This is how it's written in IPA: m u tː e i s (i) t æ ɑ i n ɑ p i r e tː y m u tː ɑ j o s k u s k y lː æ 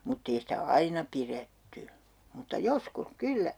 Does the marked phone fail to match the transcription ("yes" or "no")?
no